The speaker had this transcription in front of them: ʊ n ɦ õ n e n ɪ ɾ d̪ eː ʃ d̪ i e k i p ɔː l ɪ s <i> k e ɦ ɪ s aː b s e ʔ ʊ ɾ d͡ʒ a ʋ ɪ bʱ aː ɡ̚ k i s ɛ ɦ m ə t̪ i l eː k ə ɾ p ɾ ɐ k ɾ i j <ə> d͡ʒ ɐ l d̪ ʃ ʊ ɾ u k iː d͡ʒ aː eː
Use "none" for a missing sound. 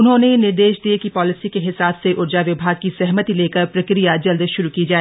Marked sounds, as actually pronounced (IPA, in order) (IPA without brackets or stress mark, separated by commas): i, a